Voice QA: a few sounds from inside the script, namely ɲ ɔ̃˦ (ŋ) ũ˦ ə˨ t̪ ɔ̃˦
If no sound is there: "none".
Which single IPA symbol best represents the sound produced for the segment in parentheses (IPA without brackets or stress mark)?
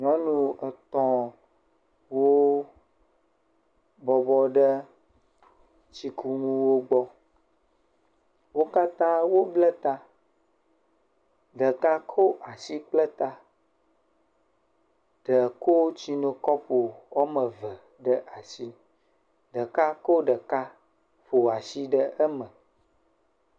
n